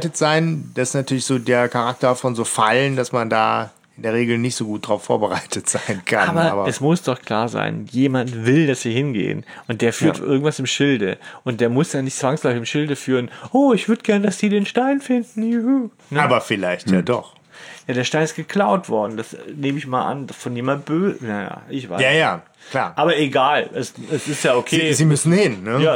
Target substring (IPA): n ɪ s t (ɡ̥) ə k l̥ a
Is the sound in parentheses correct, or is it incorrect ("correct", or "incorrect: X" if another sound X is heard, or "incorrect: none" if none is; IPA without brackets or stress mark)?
correct